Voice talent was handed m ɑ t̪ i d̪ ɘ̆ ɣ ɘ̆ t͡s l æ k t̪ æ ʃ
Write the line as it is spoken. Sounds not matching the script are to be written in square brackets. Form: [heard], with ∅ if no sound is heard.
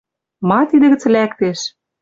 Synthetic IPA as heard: m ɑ t̪ i d̪ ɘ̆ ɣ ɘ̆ t͡s l æ k t̪ [e] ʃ